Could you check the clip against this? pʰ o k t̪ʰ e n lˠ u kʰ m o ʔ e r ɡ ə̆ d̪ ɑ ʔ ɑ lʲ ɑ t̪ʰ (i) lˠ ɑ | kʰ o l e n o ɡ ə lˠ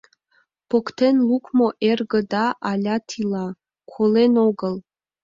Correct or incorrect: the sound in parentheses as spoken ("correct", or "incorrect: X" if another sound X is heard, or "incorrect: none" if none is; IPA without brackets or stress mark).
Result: correct